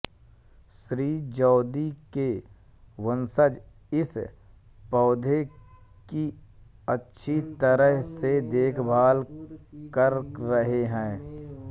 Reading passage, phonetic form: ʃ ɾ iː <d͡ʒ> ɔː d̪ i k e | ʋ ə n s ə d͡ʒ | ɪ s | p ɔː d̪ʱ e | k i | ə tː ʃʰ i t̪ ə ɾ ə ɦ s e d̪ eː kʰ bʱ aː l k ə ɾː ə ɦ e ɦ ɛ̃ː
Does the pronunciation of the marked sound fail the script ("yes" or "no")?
no